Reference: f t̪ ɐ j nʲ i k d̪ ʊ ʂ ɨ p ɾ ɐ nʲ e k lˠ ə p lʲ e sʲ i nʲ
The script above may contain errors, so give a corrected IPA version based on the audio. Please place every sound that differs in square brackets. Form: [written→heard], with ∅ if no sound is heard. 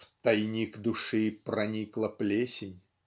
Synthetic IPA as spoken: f t̪ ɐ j nʲ i k d̪ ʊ ʂ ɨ p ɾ ɐ nʲ [e→i] k lˠ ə p lʲ e sʲ [i→ɪ] nʲ